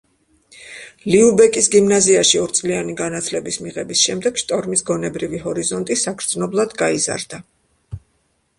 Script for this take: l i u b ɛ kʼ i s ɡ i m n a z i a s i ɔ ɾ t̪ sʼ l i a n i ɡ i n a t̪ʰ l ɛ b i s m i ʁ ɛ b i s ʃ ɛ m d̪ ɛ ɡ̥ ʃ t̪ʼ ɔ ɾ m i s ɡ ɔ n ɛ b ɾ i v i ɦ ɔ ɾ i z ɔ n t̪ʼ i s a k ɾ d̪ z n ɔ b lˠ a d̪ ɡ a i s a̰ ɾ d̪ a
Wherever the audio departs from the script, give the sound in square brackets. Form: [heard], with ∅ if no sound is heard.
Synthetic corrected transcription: l i u b ɛ kʼ i s ɡ i m n a z i a [ʃ] i ɔ ɾ t̪ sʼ l i a n i ɡ [a] n a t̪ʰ l ɛ b i s m i ʁ ɛ b i s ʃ ɛ m d̪ ɛ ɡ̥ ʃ t̪ʼ ɔ ɾ m i s ɡ ɔ n ɛ b ɾ i v i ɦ ɔ ɾ i z ɔ n t̪ʼ i s a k ɾ d̪ z n ɔ b lˠ a d̪ ɡ a i [z] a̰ ɾ d̪ a